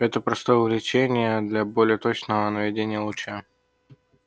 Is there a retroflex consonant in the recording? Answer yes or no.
no